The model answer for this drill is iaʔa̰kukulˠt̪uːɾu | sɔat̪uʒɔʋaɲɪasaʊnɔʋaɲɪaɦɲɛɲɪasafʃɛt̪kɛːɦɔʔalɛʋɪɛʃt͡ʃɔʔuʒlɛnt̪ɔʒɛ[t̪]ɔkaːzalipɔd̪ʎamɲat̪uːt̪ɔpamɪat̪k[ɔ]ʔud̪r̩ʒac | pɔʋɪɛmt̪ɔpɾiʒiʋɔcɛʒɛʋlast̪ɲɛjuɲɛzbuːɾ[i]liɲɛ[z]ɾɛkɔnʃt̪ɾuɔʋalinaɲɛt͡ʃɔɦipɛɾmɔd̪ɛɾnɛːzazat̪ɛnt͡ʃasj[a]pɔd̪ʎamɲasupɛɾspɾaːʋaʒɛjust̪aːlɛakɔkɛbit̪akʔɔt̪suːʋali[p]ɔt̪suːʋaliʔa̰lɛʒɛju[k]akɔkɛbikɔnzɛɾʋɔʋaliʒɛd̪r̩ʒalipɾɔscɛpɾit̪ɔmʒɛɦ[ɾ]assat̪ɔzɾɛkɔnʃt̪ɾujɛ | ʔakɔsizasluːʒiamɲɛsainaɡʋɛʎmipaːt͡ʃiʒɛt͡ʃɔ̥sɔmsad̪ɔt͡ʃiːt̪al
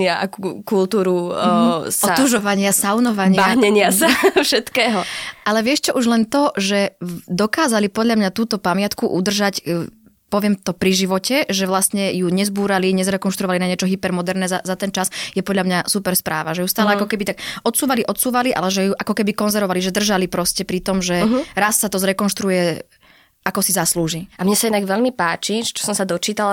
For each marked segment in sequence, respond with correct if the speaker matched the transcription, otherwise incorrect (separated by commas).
incorrect, incorrect, incorrect, correct, incorrect, incorrect, incorrect, correct